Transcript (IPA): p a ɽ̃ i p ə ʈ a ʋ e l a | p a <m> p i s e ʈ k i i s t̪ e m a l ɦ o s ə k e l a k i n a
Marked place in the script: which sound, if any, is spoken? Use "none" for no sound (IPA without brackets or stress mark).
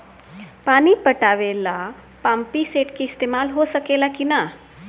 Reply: m